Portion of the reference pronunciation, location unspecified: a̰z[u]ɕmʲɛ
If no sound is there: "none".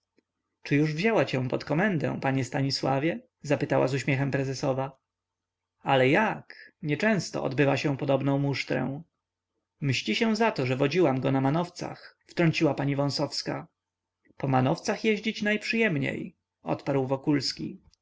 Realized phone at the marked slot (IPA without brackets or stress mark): u